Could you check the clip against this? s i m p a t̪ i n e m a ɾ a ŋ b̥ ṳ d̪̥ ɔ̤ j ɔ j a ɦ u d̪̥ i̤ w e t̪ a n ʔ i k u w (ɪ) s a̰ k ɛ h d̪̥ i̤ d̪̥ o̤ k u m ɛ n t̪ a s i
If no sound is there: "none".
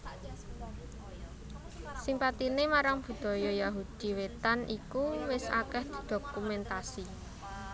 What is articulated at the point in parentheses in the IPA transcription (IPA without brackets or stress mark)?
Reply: ɪ